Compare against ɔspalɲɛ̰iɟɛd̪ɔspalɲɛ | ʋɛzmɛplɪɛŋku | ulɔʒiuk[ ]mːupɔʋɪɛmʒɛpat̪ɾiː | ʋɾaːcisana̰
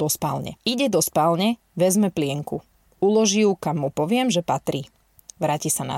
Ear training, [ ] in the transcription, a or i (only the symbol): a